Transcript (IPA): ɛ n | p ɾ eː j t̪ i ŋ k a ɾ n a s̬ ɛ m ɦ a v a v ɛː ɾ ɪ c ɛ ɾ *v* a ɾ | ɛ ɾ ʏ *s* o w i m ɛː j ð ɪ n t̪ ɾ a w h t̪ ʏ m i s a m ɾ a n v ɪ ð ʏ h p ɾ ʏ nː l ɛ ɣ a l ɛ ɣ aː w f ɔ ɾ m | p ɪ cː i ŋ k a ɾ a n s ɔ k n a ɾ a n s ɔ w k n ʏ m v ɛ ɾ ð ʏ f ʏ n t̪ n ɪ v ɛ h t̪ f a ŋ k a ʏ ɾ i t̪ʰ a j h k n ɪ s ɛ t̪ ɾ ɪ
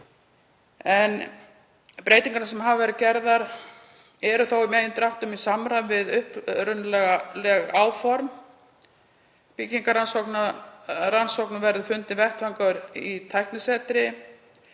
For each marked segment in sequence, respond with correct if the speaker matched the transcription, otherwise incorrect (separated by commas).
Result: incorrect, incorrect